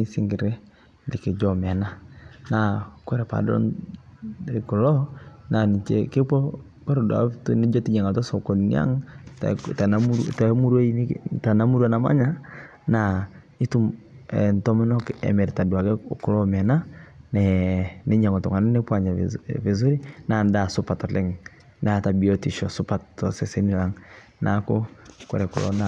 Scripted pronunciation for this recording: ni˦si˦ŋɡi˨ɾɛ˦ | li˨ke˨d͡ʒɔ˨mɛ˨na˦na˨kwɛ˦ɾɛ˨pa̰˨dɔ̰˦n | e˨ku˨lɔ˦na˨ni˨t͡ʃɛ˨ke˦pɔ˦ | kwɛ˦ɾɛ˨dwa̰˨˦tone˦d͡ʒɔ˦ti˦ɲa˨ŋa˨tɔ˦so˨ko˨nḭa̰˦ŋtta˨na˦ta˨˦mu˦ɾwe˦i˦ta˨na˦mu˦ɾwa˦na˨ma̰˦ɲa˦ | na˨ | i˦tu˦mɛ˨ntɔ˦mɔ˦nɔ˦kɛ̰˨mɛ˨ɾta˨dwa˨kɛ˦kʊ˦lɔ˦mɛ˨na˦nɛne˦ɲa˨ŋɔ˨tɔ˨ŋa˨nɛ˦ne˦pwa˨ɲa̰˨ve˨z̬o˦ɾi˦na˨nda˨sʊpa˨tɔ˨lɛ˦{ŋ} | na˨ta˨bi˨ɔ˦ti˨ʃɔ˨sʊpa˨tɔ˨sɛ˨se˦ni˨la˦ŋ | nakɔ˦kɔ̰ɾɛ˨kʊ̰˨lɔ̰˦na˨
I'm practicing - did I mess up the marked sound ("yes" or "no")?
no